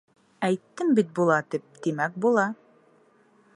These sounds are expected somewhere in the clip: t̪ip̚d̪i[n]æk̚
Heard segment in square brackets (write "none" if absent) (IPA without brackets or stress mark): m